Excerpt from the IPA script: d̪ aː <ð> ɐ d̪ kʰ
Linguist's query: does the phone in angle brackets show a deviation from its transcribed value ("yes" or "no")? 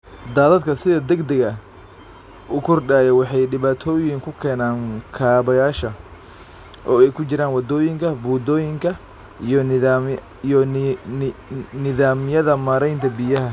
no